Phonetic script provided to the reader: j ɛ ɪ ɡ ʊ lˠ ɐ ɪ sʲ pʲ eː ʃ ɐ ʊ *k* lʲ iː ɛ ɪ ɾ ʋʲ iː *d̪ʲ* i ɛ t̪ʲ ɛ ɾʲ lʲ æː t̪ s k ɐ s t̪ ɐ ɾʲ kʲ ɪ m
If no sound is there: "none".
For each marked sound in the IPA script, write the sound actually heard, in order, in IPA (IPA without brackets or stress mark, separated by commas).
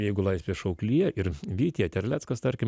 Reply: k, t̪ʲ